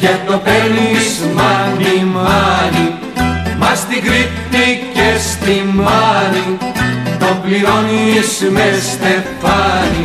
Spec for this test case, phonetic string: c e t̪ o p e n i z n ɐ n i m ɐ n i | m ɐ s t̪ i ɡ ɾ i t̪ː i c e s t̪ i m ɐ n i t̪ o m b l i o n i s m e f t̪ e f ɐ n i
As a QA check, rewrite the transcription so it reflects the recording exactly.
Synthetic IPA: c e t̪ o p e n i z m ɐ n i m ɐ n i | m ɐ s t̪ i ɡ ɾ i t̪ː i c e s t̪ i m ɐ n i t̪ o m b l i o n i s m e s t̪ e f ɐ n i